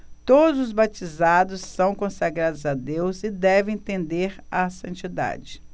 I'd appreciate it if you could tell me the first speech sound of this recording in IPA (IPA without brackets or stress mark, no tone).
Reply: t̪